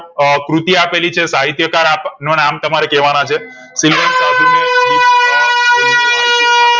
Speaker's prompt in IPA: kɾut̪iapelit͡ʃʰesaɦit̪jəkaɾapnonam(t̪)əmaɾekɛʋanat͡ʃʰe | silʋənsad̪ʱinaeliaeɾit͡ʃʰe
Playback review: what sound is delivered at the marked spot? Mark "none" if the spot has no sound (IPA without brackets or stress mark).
t̪